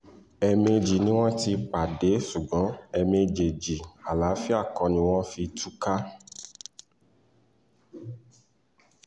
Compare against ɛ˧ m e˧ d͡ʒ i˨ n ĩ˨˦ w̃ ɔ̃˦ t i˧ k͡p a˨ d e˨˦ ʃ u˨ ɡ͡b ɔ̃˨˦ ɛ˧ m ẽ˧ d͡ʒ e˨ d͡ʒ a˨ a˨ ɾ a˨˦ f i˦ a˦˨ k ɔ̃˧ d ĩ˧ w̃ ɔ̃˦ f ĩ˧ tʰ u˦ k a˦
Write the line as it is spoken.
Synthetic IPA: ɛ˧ m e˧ d͡ʒ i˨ n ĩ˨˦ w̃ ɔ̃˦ t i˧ k͡p a˨ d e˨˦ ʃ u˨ ɡ͡b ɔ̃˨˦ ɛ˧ m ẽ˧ d͡ʒ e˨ d͡ʒ i˨ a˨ l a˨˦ f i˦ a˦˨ k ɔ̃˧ n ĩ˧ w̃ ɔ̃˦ f i˧ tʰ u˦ k a˦